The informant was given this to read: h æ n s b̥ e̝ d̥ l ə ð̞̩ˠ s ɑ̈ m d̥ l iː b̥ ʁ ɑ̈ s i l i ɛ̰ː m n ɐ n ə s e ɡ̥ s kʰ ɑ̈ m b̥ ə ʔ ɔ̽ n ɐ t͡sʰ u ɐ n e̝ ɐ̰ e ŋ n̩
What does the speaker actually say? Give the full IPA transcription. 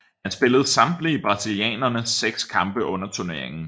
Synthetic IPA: h æ n s b̥ e̝ l ə ð̞̩ˠ s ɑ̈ m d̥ l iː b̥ ʁ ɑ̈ s i l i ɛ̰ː n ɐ n ə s e ɡ̥ s kʰ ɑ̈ m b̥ ə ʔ ɔ̽ n ɐ t͡sʰ u ɐ n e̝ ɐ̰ e ŋ n̩

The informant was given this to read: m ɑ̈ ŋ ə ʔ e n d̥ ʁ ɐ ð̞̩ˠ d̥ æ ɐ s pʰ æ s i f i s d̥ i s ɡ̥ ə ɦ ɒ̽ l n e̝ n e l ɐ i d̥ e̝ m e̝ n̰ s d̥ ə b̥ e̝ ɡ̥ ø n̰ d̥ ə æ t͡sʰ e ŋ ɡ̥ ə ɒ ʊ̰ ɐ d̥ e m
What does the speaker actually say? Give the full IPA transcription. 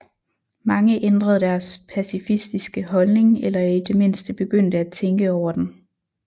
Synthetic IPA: m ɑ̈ ŋ ə ʔ e n d̥ ʁ ɐ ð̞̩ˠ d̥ æ ɐ s pʰ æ s i f i s d̥ i s ɡ̥ ə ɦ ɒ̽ l n e̝ ŋ e l ɐ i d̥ e̝ m e̝ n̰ s d̥ ə b̥ e̝ ɡ̥ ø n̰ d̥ ə æ t͡sʰ e ŋ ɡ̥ ə ɒ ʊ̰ ɐ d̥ e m

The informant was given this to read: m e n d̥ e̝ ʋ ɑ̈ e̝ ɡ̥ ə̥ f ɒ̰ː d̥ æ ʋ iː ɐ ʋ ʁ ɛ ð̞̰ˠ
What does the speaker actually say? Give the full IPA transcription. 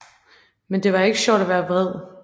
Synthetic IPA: m e n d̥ e̝ ʋ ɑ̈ e̝ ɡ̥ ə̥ ɕ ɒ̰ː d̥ æ ʋ æː ɐ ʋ ʁ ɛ ð̞̰ˠ

